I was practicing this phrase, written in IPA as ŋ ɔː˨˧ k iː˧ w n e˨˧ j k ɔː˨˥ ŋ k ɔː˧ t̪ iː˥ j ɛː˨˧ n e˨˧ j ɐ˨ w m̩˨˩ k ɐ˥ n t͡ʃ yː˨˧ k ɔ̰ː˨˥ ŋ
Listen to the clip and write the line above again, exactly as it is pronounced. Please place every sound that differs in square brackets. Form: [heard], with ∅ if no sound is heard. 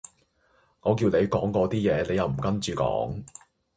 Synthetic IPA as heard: ŋ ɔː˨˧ k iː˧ w n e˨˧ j k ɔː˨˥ ŋ k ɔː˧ t̪ iː˥ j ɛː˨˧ n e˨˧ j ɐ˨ w m̩˨˩ k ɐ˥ n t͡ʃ yː˨˧ k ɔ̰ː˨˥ ŋ